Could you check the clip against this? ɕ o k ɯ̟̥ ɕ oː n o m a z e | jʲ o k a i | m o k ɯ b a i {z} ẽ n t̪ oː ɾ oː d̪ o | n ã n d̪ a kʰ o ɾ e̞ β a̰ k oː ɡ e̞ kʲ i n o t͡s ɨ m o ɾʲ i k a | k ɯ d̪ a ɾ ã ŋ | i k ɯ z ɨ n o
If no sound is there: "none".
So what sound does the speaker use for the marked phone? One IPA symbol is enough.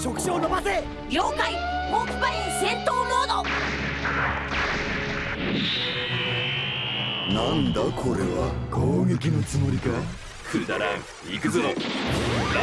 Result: s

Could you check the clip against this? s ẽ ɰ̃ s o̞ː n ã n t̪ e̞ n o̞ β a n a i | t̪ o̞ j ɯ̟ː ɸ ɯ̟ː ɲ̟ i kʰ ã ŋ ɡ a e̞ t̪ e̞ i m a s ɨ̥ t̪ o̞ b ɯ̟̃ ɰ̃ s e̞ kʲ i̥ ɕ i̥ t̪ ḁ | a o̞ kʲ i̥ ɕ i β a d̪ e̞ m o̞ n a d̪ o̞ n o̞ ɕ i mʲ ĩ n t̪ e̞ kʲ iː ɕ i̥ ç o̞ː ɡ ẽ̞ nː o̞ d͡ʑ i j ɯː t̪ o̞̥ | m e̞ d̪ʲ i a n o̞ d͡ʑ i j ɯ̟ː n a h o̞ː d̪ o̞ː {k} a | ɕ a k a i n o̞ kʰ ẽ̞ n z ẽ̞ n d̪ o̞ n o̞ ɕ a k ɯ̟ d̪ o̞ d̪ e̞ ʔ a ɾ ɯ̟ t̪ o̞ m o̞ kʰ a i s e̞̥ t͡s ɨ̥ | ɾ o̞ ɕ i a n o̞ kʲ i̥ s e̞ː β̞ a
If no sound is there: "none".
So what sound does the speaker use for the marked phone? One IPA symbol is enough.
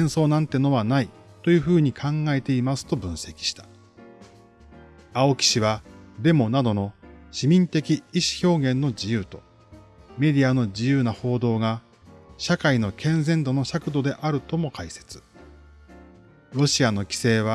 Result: ɡ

